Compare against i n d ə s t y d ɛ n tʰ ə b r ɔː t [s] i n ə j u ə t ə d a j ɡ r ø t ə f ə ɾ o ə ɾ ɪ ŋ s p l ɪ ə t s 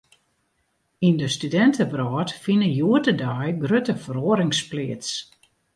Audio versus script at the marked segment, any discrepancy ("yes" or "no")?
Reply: yes